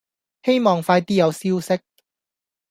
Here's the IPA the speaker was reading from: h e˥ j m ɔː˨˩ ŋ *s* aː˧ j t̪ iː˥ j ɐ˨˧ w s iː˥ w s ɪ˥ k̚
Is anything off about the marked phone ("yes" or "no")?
yes